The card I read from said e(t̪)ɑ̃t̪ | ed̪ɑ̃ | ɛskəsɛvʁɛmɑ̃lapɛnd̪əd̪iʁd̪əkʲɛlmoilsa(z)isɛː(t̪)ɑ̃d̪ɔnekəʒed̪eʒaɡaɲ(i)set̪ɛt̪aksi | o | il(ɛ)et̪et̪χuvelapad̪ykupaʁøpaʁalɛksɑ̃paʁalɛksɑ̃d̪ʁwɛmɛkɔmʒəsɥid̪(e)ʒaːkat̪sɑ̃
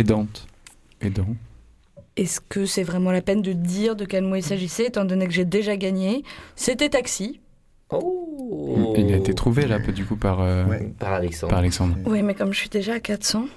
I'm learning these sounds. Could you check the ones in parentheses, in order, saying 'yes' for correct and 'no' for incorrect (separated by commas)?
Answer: no, no, yes, no, no, yes